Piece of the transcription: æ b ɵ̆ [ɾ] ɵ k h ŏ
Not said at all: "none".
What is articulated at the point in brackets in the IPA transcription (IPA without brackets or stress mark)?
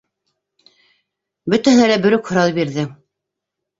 ɾ